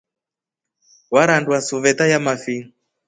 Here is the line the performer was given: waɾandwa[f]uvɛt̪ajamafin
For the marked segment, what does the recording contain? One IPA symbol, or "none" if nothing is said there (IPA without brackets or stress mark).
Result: s